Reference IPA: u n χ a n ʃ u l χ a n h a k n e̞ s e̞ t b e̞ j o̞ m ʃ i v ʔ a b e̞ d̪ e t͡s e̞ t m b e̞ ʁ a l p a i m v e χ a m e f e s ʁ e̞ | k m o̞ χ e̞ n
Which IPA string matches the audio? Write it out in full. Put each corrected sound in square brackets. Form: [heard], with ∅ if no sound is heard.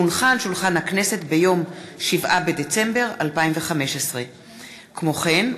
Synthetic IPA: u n χ a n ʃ u l χ a n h a k n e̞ s e̞ t b e̞ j o̞ m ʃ i v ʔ a b e̞ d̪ e t͡s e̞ [∅] m b e̞ ʁ a l p a i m v e χ a m e [ʃ] e s ʁ e̞ | k m o̞ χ e̞ n